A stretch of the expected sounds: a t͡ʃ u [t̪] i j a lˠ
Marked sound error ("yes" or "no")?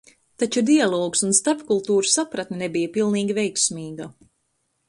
yes